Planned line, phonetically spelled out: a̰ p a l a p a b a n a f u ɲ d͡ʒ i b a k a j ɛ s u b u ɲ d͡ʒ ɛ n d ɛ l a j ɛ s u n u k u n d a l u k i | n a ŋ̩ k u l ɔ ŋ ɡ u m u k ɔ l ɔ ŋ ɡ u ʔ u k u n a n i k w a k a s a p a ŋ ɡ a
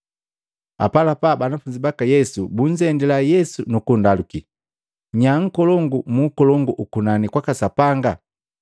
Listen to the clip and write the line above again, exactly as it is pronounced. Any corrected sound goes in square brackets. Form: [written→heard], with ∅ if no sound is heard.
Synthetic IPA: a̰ p a l a p a b a n a f u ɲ d͡ʒ i b a k a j ɛ s u b u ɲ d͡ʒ ɛ n d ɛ l a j ɛ s u n u k u n d a l u k i | [n→ɲ] a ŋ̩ k [u→ɔ] l ɔ ŋ ɡ u m u k ɔ l ɔ ŋ ɡ u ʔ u k u n a n i k w a k a s a p a ŋ ɡ a